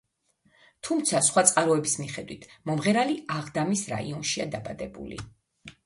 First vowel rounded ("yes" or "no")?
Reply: yes